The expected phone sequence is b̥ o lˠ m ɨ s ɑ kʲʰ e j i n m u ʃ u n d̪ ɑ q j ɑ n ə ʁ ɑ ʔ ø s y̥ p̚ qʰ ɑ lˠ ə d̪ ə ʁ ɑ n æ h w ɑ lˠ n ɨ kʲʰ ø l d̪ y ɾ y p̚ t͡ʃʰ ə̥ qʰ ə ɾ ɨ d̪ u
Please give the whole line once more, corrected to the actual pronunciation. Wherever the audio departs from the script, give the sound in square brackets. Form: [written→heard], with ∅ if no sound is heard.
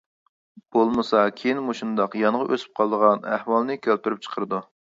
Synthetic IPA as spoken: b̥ o lˠ m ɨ s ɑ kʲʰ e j i n m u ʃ u n d̪ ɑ q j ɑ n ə ʁ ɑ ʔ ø s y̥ p̚ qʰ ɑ lˠ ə d̪ ə ʁ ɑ n æ h w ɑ lˠ n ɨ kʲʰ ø l [d̪→t̪] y ɾ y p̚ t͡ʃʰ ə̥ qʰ ə ɾ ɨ d̪ u